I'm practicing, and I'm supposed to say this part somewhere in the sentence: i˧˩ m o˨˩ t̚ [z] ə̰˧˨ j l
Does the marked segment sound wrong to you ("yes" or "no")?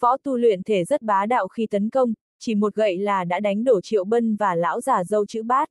yes